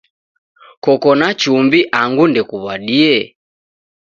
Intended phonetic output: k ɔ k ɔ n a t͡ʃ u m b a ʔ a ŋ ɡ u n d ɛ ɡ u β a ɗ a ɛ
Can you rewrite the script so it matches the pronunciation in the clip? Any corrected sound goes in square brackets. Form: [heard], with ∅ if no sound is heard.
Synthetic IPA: k ɔ k ɔ n a t͡ʃ u m b [i] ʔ a ŋ ɡ u n d ɛ [k] u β a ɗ [i] ɛ

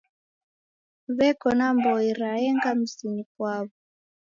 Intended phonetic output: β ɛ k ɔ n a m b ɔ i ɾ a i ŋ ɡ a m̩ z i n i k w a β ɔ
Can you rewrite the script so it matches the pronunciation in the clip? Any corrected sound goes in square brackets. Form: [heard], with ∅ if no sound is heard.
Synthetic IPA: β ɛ k ɔ n a m b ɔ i ɾ a [ɛ] ŋ ɡ a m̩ [s] i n i k w a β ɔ

